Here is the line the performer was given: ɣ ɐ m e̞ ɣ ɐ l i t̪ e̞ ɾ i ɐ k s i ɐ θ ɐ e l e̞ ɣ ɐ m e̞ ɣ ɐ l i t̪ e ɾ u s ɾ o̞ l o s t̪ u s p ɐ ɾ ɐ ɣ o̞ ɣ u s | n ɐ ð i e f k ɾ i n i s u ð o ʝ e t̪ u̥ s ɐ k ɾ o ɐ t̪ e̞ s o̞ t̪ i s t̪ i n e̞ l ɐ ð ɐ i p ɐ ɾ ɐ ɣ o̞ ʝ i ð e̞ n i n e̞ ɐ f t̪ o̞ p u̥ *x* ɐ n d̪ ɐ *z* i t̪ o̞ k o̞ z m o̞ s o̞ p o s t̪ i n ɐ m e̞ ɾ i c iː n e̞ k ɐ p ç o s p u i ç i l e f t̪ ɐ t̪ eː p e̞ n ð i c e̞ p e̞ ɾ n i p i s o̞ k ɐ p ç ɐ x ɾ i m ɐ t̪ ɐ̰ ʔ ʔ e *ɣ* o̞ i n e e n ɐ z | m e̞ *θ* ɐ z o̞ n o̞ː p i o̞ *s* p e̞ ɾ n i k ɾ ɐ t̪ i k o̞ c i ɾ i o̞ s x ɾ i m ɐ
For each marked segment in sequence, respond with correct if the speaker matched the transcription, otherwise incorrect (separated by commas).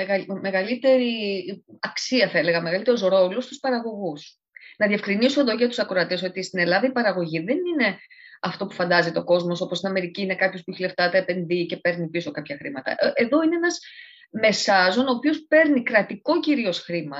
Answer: incorrect, correct, incorrect, incorrect, correct